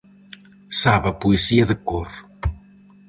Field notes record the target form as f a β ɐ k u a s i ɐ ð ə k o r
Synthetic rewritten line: s a β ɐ p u e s i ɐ ð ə k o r